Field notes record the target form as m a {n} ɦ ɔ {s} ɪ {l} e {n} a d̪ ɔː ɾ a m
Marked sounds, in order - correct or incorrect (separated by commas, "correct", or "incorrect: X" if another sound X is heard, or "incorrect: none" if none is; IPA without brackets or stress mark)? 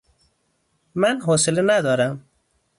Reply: correct, correct, correct, correct